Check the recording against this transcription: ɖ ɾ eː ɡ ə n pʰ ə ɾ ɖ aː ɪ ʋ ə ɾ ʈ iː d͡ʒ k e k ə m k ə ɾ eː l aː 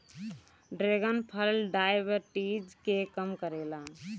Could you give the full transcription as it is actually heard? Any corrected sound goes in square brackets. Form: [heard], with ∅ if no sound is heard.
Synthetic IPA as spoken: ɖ ɾ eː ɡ ə n pʰ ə [l] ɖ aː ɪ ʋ ə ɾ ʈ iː d͡ʒ k e k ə m k ə ɾ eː l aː